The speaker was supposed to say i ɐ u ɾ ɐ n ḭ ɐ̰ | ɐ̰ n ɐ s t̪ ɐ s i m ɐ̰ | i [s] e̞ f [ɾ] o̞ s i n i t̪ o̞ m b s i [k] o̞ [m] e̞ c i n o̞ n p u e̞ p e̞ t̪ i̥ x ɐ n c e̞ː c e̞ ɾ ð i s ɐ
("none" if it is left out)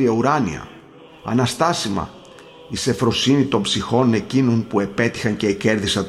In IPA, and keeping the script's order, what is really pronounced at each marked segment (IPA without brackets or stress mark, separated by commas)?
s, ɾ, x, n